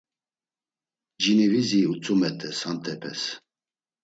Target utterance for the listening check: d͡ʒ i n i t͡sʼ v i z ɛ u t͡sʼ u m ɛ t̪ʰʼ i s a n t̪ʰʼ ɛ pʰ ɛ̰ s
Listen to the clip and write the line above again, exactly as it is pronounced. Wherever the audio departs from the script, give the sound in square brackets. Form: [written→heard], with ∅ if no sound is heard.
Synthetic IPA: d͡ʒ i n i [t͡sʼ→∅] v i z [ɛ→i] u t͡sʼ u m ɛ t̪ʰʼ [i→ɛ] s a n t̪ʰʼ ɛ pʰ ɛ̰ s